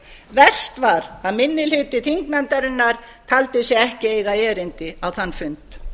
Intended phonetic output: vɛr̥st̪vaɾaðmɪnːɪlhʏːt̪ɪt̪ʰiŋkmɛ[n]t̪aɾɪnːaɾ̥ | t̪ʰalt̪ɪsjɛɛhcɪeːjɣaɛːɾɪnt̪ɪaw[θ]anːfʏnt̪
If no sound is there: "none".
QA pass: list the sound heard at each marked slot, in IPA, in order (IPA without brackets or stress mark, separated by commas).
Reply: n, θ